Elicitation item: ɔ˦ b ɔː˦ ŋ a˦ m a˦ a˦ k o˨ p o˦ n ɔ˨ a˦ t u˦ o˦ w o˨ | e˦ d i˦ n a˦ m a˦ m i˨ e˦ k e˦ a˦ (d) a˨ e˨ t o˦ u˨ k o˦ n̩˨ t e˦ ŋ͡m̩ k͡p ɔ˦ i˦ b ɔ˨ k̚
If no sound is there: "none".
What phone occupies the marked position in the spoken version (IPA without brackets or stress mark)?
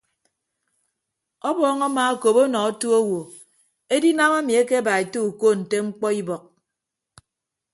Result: b